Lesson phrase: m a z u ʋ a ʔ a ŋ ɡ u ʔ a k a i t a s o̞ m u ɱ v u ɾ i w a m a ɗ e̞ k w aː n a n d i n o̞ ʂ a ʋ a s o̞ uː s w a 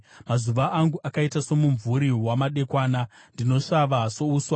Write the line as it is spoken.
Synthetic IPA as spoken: m a z u ʋ a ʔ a ŋ ɡ u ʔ a k a i t a s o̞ m u ɱ v u ɾ i w a m a ɗ e̞ k w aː n a n d i n o̞ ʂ a ʋ a s o̞ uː s w a